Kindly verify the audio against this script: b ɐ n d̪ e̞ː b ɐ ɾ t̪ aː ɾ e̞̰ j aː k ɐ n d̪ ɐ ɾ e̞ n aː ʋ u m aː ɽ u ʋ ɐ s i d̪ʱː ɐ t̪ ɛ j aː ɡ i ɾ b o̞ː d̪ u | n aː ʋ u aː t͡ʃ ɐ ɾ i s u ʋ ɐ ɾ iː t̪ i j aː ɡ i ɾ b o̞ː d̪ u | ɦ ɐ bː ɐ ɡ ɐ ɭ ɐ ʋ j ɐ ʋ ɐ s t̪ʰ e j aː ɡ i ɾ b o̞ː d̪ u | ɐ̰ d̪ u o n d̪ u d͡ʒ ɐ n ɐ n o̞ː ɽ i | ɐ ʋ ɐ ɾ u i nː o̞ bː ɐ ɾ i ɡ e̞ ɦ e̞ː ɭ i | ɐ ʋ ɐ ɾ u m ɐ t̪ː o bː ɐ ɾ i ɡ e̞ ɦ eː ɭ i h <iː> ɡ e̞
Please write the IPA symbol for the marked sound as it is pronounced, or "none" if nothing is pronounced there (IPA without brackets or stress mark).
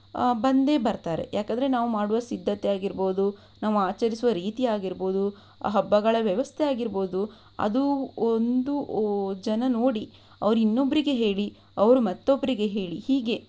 iː